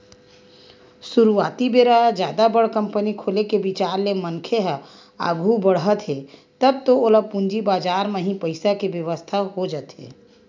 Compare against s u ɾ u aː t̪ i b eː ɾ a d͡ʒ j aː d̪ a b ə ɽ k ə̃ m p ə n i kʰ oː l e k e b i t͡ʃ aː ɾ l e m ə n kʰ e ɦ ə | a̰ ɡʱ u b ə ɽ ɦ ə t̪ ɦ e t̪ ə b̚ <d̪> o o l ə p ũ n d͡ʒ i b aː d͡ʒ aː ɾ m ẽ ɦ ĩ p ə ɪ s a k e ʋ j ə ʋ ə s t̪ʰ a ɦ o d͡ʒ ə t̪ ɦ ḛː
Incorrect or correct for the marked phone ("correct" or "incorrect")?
incorrect